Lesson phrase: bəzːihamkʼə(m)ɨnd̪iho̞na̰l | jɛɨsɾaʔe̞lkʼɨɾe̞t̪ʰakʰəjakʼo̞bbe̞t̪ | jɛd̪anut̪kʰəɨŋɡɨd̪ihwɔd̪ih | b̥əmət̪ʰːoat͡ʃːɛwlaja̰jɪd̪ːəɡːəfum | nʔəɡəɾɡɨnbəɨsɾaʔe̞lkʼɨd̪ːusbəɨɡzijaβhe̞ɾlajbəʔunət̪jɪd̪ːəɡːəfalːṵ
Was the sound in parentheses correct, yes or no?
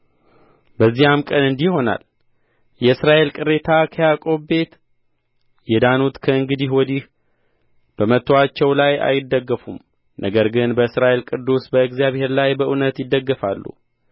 no